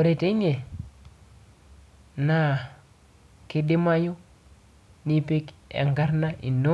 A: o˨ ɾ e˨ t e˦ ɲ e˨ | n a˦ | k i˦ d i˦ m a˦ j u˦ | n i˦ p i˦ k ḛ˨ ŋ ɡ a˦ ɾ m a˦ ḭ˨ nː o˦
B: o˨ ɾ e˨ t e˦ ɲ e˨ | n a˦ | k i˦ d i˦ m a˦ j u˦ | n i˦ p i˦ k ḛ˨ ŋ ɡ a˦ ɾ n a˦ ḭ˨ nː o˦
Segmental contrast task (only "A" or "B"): B